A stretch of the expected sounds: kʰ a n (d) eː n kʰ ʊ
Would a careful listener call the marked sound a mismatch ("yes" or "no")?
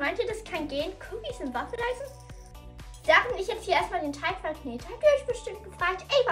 yes